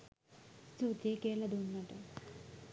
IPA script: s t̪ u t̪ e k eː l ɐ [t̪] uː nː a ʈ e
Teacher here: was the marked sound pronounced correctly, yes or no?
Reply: no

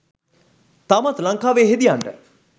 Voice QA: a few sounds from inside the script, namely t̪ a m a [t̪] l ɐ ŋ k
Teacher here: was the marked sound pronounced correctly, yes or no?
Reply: yes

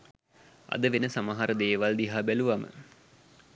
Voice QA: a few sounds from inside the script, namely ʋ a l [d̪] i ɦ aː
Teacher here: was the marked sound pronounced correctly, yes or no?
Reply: yes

